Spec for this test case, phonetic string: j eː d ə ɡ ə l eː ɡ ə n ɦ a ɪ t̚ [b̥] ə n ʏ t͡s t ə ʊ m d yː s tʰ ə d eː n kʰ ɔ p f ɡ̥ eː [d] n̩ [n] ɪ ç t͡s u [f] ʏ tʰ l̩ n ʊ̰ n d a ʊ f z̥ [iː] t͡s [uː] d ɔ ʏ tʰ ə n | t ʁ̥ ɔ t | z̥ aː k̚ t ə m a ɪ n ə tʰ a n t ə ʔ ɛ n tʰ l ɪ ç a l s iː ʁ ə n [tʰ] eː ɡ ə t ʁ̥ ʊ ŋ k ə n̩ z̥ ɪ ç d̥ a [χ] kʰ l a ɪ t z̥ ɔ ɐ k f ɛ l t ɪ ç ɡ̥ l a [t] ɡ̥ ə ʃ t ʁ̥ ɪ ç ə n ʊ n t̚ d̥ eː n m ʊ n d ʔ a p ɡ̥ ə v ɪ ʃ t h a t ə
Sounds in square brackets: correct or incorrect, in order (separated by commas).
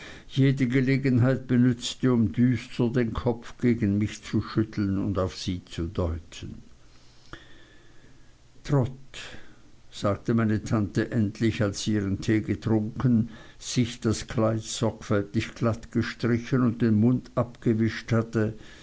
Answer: correct, incorrect, incorrect, incorrect, correct, incorrect, correct, incorrect, correct